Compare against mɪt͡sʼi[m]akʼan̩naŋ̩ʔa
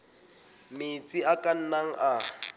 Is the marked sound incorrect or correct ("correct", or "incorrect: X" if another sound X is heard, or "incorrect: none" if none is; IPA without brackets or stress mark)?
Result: incorrect: none